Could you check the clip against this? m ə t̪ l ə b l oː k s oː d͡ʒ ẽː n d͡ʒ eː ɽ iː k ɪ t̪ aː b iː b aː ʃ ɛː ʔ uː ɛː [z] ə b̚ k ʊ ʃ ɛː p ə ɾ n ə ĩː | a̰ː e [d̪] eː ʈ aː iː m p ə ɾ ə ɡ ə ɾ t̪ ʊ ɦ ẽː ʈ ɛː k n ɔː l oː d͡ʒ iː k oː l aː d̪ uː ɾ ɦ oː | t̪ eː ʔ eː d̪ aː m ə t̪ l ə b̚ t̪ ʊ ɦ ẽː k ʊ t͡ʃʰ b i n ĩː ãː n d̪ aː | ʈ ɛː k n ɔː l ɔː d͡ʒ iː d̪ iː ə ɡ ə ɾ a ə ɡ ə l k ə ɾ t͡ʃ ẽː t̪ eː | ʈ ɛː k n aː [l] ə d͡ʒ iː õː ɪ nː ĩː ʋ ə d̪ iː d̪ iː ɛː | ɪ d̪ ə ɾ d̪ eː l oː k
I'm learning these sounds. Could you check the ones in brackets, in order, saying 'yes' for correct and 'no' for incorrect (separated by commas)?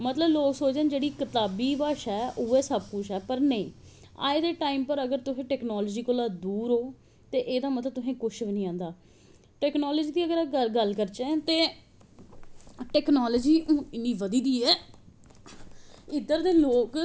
no, yes, yes